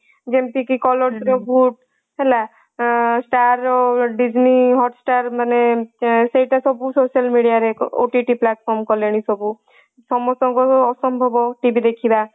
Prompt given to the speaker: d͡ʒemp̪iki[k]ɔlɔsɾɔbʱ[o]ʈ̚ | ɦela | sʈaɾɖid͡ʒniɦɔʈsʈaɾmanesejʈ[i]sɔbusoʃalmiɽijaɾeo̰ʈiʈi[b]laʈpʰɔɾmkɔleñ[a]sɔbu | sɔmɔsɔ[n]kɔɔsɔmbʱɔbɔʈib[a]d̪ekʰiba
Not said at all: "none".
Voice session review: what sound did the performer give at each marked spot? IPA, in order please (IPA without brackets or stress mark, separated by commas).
k, u, a, p, i, ŋ, i